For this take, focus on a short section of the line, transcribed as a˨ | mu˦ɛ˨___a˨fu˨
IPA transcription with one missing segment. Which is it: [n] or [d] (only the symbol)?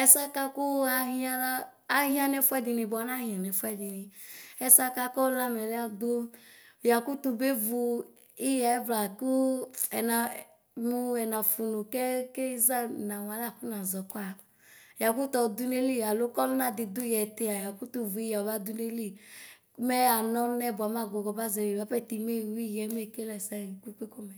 n